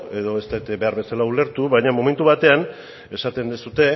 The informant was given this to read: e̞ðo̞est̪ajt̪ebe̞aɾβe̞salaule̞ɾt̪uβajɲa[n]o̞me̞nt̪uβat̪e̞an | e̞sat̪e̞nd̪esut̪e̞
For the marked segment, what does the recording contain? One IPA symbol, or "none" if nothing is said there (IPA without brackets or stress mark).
m